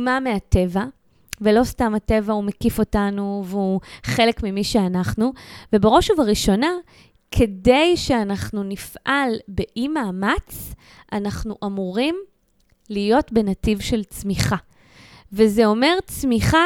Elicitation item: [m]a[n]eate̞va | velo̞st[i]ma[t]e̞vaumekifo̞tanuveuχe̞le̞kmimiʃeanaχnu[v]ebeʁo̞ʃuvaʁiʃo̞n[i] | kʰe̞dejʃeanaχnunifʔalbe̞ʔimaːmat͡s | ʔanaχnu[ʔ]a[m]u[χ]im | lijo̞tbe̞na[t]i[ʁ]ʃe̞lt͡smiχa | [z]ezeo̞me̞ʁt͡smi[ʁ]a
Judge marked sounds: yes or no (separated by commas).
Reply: yes, no, no, yes, yes, no, yes, yes, no, yes, no, no, no